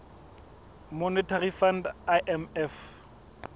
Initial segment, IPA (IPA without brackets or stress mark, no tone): m